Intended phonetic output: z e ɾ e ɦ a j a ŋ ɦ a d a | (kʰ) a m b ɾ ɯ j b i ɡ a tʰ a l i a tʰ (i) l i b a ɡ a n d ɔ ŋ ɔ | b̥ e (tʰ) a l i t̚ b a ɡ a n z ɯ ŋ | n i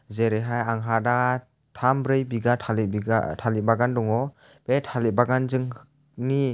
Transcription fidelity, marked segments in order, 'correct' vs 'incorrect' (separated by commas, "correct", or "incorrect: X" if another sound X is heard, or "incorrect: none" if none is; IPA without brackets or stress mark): incorrect: tʰ, incorrect: a, correct